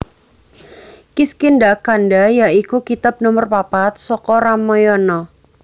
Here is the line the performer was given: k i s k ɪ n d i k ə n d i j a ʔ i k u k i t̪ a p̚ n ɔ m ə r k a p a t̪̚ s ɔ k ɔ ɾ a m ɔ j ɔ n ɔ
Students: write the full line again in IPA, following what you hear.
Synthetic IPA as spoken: k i s k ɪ n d a k a n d a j a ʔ i k u k i t̪ a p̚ n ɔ m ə r p a p a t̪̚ s ɔ k ɔ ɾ a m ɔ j ɔ n ɔ